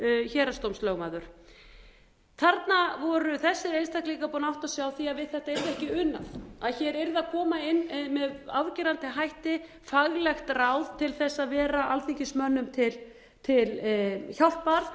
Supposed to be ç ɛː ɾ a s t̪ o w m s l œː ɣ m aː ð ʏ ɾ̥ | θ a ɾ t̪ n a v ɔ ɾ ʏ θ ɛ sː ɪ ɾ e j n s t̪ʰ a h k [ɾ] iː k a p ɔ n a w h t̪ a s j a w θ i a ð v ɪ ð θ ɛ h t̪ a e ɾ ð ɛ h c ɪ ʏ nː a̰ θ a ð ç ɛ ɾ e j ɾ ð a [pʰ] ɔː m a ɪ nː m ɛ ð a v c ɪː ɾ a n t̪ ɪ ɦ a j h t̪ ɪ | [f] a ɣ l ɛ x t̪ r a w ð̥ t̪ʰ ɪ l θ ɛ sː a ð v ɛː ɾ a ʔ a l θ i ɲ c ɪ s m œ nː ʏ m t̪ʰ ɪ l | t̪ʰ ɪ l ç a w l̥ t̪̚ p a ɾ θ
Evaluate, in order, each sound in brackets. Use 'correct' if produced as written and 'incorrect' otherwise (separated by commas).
incorrect, incorrect, correct